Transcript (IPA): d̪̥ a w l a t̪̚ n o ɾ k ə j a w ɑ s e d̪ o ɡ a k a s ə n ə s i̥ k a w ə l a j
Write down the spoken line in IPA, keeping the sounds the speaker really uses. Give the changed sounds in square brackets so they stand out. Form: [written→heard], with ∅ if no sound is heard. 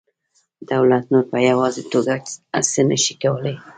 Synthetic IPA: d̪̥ a w l a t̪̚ n o ɾ [k→p] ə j a w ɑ [s→z] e [d̪→t̪] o ɡ a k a s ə n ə [s→ʃ] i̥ k a w ə l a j